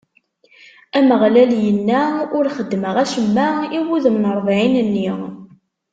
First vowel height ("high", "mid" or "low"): low